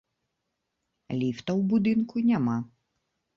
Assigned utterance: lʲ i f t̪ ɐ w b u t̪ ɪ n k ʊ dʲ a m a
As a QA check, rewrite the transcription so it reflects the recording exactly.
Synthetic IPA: lʲ i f t̪ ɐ w b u d̪ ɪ n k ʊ nʲ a m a